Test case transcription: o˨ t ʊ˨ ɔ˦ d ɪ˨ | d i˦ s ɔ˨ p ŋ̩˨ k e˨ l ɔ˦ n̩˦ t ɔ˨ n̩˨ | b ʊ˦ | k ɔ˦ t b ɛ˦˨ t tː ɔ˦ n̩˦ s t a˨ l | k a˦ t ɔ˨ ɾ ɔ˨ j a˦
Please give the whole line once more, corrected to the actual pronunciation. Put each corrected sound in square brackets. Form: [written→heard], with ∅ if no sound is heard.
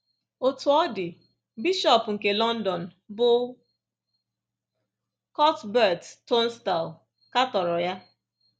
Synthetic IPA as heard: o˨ t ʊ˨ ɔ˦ d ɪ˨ | [d→b] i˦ [s→ʃ] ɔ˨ p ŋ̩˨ k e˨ l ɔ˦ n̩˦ [t→d] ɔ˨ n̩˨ | b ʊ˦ | k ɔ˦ t b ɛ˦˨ t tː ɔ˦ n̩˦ s t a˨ l | k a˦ t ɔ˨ ɾ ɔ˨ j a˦